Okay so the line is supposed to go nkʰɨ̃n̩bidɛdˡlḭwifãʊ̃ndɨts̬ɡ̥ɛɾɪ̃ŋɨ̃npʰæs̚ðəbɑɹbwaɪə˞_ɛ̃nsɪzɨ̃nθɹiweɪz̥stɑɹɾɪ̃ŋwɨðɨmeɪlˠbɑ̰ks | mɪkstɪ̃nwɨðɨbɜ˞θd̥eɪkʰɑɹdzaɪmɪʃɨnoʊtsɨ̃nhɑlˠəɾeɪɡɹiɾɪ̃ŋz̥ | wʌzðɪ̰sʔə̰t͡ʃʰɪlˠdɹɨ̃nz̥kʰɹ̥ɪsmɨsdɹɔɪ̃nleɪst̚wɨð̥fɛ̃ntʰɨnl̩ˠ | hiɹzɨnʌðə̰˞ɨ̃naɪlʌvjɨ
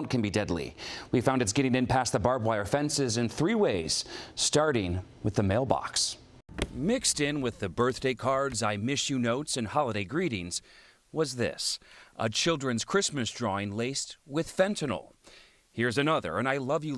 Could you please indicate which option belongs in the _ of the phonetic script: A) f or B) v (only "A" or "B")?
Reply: A